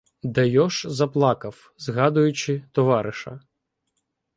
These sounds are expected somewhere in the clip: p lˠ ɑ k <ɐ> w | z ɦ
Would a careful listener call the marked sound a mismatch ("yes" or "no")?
no